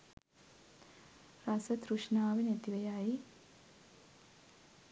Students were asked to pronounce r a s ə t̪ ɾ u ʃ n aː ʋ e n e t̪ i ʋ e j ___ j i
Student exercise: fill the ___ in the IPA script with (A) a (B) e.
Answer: A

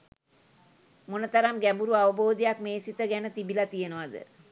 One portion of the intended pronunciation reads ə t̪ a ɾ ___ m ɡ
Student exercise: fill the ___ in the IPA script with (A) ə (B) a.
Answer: B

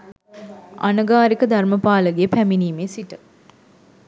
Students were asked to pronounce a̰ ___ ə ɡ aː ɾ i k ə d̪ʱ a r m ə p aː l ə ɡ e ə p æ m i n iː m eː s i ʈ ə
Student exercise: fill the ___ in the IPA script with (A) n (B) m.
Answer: A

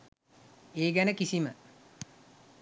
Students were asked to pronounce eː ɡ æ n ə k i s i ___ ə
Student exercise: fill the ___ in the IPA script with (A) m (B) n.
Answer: A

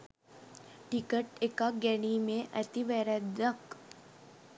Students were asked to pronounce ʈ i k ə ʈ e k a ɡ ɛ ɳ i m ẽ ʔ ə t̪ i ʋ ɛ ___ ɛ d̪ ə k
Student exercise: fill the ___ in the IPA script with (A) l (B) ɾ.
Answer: B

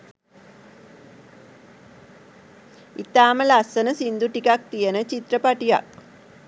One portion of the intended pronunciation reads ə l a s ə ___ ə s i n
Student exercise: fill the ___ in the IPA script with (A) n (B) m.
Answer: A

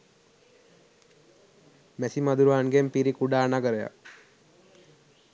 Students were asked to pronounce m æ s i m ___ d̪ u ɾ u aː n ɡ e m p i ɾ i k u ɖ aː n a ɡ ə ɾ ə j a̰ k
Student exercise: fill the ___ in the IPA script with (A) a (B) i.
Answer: A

